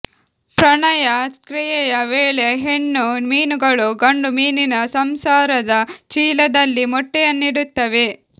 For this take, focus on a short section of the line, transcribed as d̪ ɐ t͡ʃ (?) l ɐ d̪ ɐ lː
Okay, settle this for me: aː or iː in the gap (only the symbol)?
iː